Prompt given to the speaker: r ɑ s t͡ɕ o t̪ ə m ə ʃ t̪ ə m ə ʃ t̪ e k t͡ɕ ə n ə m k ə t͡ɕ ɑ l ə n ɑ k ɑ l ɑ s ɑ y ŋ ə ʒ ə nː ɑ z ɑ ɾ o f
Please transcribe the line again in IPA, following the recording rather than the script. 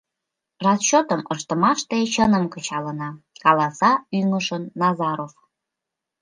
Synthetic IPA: r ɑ s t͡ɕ o t̪ ə m ə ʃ t̪ ə m ɑ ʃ t̪ e t͡ɕ ə n ə m k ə t͡ɕ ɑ l ə n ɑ k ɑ l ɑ s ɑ y ŋ ə ʃ ə nː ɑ z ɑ ɾ o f